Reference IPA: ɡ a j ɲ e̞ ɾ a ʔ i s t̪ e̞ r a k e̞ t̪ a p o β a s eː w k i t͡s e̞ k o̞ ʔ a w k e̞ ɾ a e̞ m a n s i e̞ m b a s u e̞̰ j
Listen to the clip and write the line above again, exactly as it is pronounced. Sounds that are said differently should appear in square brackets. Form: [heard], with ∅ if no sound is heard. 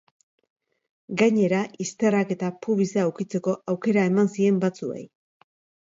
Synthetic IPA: ɡ a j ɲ e̞ ɾ a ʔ i s t̪ e̞ r a k e̞ t̪ a p [u] β [i] s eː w k i t͡s e̞ k o̞ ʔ a w k e̞ ɾ a e̞ m a n s i e̞ m b a [t͡s] u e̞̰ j